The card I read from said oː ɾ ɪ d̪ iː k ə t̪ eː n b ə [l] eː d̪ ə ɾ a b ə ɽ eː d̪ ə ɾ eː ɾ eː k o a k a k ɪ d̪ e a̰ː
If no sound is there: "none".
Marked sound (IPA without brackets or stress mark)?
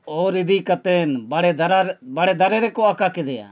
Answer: ɽ